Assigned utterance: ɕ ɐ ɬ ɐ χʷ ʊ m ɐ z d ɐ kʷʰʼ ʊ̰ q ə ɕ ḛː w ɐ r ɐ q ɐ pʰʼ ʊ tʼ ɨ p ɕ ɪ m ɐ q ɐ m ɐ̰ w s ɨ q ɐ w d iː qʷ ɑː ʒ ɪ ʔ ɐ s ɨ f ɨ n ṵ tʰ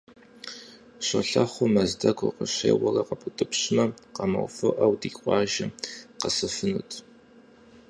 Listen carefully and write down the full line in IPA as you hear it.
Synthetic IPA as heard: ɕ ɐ ɬ ɐ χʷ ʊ m ɐ z d ɐ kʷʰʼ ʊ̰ q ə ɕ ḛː w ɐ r ɐ q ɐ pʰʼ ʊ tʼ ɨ p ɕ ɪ m ɐ q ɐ m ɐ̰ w f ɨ ʔ ɐ w d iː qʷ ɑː ʒ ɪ q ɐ s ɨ f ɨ n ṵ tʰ